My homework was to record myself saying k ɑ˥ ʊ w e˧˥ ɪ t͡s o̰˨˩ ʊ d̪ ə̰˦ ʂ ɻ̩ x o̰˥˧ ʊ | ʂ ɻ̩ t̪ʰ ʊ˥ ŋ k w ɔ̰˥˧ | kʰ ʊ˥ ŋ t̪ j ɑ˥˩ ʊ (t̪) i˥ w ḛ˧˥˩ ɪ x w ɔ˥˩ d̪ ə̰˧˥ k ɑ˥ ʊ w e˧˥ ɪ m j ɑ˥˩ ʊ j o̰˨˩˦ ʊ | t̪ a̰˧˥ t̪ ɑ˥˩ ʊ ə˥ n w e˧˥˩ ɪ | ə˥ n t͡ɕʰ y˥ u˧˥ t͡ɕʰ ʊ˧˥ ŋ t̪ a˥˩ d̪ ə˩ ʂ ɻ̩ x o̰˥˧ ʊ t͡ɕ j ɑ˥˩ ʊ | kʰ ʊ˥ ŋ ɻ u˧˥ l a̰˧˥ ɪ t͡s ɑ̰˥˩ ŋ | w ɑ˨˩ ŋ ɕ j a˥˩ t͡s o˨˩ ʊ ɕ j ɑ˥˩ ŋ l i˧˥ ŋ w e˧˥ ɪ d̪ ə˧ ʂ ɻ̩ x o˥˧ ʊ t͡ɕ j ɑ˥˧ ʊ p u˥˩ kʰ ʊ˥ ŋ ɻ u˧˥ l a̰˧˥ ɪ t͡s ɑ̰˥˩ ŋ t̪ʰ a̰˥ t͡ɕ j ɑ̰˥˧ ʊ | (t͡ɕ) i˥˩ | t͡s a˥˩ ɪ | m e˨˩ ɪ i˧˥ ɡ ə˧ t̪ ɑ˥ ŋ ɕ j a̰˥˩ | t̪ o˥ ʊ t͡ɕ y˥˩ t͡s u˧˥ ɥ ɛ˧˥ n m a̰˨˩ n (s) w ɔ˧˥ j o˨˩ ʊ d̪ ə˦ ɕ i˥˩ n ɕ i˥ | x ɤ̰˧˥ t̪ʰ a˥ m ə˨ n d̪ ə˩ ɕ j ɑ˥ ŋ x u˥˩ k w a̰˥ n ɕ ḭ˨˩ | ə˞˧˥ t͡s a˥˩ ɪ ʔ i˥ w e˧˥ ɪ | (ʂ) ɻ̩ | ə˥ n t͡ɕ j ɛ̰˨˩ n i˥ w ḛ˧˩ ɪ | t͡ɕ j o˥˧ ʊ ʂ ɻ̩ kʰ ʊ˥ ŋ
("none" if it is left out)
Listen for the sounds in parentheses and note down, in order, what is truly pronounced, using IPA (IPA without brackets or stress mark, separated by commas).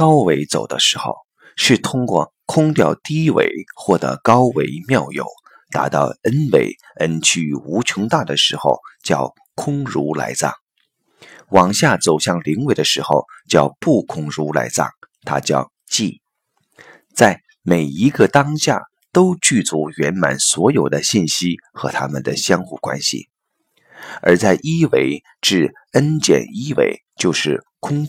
t̪, t͡ɕ, s, ʈ͡ʂ